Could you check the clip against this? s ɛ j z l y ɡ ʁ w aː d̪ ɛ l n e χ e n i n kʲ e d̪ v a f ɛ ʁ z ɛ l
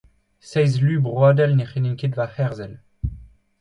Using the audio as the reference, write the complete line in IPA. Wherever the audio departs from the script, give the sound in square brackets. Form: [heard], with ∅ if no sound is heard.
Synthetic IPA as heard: s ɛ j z l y [b] ʁ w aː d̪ ɛ l n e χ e n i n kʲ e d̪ v a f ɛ ʁ z ɛ l